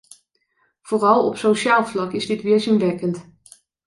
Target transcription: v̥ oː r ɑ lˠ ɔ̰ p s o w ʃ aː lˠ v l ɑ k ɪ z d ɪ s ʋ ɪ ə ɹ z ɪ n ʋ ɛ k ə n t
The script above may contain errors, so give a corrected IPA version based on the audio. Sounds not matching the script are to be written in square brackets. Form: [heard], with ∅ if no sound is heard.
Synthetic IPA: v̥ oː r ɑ lˠ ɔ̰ p s o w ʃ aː lˠ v l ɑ k ɪ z d ɪ [t] ʋ ɪ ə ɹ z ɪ n ʋ ɛ k ə n t